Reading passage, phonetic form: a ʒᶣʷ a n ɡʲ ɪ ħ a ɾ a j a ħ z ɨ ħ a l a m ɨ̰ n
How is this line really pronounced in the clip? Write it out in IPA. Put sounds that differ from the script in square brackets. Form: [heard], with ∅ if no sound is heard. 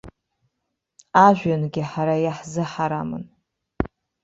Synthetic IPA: a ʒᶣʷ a n ɡʲ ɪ ħ a ɾ a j a ħ z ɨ ħ a [ɾ] a m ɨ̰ n